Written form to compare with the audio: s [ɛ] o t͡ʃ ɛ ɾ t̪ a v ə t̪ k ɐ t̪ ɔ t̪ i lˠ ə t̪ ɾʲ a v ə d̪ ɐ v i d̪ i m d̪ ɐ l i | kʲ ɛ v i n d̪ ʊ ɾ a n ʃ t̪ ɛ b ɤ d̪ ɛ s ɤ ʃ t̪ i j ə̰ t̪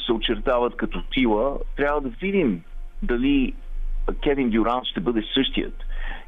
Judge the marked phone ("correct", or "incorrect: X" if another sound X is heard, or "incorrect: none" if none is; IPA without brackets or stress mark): correct